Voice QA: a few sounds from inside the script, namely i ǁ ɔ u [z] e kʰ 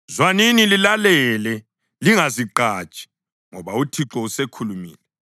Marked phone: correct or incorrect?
incorrect